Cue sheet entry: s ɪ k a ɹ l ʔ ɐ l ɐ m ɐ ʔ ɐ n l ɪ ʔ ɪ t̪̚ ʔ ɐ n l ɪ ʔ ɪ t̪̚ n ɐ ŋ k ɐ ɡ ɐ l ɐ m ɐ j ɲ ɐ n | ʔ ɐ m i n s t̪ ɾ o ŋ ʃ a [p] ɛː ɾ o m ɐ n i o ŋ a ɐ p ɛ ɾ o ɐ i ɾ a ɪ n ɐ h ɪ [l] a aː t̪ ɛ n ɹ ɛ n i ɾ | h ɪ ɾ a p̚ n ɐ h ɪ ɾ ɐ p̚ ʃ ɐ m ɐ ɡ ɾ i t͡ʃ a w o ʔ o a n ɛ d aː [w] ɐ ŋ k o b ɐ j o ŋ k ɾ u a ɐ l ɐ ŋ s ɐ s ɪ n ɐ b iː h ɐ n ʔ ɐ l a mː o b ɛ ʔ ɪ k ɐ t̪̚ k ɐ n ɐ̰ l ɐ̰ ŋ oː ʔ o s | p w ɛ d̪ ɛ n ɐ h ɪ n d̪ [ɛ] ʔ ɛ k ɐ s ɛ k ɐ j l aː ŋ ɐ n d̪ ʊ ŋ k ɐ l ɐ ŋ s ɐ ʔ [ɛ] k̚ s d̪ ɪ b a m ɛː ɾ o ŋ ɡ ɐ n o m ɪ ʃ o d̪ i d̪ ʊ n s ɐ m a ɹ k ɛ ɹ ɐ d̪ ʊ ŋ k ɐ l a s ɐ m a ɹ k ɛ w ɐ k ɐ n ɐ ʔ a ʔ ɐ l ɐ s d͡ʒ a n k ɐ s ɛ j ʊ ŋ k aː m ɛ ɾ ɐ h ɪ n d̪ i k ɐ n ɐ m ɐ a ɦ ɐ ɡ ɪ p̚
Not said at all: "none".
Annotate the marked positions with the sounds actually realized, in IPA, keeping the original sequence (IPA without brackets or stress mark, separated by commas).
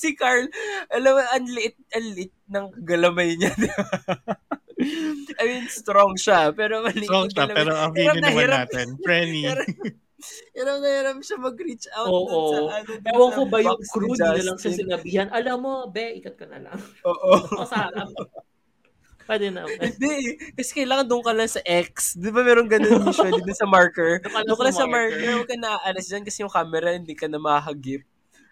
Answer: p, ɾ, w, ɛ, ɛ